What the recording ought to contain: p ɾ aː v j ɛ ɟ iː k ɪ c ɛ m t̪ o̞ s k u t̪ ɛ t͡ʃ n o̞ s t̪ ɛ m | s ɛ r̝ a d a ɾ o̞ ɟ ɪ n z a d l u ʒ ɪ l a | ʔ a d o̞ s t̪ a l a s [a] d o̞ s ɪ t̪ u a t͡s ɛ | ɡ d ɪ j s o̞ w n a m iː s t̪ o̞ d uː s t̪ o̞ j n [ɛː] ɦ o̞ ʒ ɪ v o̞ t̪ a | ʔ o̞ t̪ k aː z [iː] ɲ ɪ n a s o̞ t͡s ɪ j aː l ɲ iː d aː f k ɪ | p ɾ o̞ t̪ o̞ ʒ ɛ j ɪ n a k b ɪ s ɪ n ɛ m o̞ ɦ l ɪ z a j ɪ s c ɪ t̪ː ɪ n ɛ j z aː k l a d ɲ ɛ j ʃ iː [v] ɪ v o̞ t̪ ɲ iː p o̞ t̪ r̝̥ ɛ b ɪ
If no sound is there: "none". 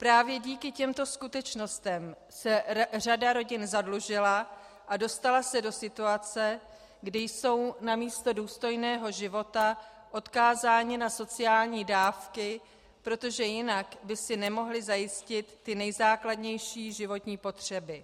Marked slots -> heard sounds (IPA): ɛ, ɛː, aː, ʒ

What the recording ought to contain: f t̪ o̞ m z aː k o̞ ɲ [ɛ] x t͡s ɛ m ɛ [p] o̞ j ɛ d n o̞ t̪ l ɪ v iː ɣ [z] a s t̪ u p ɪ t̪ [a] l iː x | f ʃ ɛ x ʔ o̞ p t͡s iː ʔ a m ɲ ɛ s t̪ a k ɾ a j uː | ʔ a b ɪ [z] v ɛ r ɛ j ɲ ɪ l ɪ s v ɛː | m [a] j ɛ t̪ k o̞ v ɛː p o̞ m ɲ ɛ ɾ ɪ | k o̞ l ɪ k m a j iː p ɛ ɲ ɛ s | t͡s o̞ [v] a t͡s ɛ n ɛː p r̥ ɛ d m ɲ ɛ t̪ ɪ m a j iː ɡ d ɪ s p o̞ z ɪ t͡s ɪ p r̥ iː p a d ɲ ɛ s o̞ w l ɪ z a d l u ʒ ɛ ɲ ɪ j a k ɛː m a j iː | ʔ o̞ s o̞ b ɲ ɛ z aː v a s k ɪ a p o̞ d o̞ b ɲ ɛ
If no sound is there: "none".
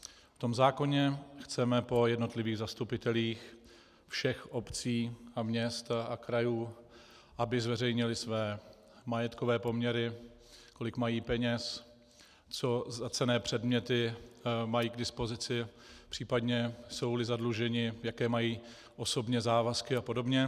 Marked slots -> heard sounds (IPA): ɛ, p, z, ɛ, z, a, z

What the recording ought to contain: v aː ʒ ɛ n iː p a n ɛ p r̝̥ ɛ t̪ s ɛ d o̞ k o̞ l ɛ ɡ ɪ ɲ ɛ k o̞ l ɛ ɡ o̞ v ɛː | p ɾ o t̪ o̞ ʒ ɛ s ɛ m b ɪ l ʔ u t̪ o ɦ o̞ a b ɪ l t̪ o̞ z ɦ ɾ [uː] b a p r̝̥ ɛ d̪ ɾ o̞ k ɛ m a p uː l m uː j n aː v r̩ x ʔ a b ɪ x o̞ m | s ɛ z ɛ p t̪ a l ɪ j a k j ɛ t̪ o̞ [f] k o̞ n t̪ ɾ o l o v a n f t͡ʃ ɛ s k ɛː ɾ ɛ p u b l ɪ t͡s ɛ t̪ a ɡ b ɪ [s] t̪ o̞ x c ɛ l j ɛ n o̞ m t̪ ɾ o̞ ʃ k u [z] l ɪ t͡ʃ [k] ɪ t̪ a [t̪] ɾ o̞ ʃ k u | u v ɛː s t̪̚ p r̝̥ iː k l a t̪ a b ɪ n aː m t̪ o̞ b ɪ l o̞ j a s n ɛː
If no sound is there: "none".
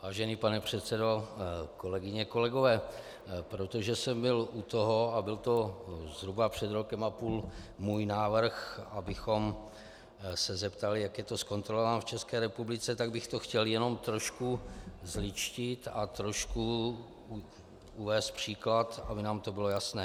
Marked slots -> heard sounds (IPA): u, s, x, z, c, t̪

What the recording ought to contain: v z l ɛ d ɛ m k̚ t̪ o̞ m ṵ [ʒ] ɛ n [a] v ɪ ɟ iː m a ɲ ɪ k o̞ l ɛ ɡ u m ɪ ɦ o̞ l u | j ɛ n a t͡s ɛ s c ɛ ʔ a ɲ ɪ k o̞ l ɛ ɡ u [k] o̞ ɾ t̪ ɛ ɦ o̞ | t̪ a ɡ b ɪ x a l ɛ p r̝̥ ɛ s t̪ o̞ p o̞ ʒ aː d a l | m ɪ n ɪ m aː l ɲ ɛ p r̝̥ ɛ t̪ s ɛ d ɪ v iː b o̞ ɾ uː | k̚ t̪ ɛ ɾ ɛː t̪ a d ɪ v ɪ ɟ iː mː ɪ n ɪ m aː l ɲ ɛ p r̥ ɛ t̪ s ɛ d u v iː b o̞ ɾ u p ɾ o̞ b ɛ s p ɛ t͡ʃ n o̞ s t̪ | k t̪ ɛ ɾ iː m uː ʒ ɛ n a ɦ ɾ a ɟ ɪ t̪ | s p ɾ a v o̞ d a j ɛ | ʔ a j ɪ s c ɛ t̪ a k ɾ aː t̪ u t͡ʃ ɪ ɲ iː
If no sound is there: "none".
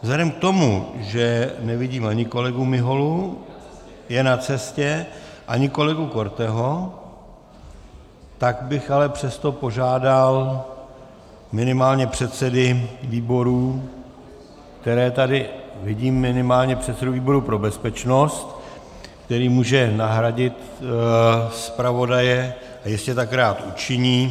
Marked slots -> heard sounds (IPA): ʒ, ɛ, k

